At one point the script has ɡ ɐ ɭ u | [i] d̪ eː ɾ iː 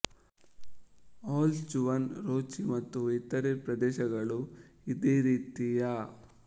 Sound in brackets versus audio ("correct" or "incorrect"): correct